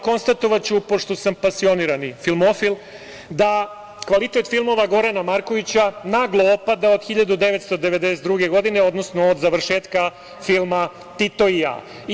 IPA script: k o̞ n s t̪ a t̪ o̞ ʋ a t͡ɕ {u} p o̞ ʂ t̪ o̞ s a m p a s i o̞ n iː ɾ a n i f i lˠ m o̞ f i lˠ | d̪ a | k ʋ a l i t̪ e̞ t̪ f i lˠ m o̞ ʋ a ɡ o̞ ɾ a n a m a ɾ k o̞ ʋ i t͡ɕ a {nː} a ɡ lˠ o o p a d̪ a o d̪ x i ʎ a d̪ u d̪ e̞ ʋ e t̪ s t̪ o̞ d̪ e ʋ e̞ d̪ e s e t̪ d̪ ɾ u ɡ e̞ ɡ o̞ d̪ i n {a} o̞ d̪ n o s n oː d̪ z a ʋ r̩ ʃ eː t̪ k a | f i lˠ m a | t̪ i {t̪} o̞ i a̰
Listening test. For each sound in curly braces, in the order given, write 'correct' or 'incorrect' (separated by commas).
correct, incorrect, incorrect, correct